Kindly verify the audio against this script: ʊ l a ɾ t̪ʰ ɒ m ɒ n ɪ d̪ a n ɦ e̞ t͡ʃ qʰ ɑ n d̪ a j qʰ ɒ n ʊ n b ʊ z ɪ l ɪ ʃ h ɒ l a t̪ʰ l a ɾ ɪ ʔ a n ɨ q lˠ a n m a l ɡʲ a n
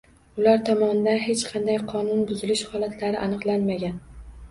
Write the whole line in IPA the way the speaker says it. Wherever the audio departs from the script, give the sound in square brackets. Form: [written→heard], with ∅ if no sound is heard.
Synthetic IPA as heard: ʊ l a ɾ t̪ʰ ɒ m ɒ n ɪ d̪ a n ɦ e̞ t͡ʃ qʰ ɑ n d̪ a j qʰ ɒ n ʊ n b ʊ z ɪ l ɪ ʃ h ɒ l a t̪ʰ l a ɾ ɪ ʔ a n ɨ q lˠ a n m a [l→∅] ɡʲ a n